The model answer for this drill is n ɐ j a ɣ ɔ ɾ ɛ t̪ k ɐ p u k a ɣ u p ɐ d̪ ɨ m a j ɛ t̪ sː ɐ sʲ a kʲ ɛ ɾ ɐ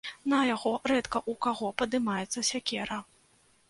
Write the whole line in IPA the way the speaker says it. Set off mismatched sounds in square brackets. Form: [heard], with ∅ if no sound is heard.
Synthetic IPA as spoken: n ɐ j a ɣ ɔ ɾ ɛ t̪ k ɐ [ʔ] u k a ɣ [ɔ] p ɐ d̪ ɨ m a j ɛ t̪ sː ɐ sʲ a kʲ ɛ ɾ ɐ